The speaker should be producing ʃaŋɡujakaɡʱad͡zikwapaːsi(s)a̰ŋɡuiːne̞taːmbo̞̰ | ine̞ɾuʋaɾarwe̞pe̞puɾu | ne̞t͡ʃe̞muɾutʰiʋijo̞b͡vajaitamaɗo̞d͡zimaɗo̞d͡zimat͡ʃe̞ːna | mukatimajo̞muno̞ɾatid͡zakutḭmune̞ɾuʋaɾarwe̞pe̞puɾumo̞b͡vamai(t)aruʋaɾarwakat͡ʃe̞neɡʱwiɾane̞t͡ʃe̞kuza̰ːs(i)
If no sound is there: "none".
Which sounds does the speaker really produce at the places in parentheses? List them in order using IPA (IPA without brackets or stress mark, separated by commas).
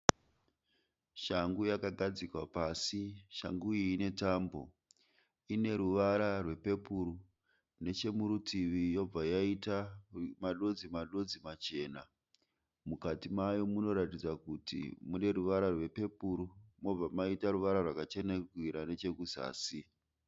ʃ, t, i